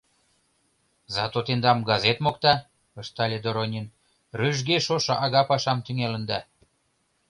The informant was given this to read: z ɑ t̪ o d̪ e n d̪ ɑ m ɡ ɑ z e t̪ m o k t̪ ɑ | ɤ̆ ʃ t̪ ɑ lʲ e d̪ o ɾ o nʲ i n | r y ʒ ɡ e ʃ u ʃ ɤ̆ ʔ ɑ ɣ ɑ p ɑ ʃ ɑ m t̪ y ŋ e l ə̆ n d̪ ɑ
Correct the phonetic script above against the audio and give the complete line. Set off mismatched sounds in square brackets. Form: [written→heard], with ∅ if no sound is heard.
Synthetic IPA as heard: z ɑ t̪ o [d̪→t̪] e n d̪ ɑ m ɡ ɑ z e t̪ m o k t̪ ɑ | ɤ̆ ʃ t̪ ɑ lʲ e d̪ o ɾ o nʲ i n | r y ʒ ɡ e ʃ [u→o] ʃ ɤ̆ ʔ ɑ ɣ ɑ p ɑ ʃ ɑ m t̪ y ŋ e l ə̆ n d̪ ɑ

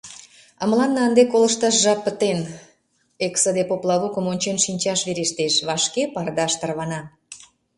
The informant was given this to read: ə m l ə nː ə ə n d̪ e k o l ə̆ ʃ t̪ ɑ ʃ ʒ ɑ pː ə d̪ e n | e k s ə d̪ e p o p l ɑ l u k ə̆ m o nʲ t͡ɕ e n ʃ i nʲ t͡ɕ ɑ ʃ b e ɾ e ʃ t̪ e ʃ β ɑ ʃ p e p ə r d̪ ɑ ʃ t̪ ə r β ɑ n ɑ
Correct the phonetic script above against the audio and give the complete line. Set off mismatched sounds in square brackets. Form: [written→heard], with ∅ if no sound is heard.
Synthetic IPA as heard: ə m l [ə→ɑ] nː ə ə n d̪ e k o l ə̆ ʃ t̪ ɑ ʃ ʒ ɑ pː ə [d̪→t̪] e n | e k s ə d̪ e p o p l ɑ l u k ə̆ m o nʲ t͡ɕ e n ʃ i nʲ t͡ɕ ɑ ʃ [b→β] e ɾ e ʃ t̪ e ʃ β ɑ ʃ [p→k] e p [ə→ɑ] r d̪ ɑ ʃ t̪ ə r β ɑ n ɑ

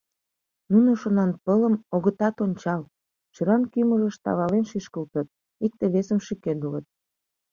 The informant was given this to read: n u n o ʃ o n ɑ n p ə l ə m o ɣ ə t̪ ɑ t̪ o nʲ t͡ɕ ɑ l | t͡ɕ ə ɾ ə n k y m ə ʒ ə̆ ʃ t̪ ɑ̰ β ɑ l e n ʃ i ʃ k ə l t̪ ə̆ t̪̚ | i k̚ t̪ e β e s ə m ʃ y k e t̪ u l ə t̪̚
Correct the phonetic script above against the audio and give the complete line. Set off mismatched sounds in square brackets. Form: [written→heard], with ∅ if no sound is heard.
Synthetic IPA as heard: n u n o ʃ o n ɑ n p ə l ə m o ɣ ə t̪ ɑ t̪ o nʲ t͡ɕ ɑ l | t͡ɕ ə ɾ [ə→ɑ] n k y m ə ʒ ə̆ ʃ t̪ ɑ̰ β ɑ l e n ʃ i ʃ k ə l t̪ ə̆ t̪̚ | i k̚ t̪ e β e s ə m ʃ y k e [t̪→d̪] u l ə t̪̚

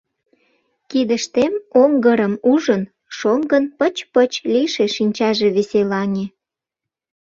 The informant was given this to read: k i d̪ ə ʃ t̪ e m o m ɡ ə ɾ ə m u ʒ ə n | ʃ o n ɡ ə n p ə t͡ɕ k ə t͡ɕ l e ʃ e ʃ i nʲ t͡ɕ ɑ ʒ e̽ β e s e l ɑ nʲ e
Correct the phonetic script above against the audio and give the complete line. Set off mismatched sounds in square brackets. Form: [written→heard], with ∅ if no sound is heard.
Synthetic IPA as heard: k i d̪ ə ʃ t̪ e m o [m→ŋ] ɡ ə ɾ ə m u ʒ ə n | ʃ o [n→ŋ] ɡ ə n p ə t͡ɕ [k→p] ə t͡ɕ l [e→i] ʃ e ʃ i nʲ t͡ɕ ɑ ʒ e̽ β e s e l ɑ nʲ e

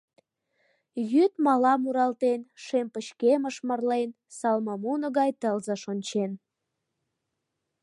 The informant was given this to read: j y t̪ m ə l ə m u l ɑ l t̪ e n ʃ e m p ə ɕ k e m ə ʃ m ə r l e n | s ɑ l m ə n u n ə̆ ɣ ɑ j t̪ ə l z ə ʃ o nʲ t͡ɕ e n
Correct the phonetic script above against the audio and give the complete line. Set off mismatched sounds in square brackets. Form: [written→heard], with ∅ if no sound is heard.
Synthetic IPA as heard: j y t̪ m [ə→ɑ] l [ə→ɑ] m u [l→ɾ] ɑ l t̪ e n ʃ e m p ə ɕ k e m ə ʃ m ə r l e n | s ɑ l m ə [n→m] u n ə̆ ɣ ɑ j t̪ ə l z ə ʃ o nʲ t͡ɕ e n

